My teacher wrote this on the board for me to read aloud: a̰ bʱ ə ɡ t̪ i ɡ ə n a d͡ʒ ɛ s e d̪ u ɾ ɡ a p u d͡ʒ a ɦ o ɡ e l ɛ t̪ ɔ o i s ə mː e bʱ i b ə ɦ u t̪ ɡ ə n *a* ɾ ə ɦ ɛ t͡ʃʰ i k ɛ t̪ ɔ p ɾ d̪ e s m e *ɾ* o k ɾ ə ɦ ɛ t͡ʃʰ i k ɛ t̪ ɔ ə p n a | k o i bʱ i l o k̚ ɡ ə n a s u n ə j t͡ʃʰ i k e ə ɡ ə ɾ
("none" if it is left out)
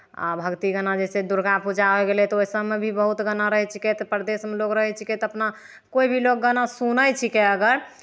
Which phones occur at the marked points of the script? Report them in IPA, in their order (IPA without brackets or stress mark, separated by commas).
a, l